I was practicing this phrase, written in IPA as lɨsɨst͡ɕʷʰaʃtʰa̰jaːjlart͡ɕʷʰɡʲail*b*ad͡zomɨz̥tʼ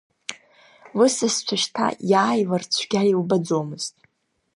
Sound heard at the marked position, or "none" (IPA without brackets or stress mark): b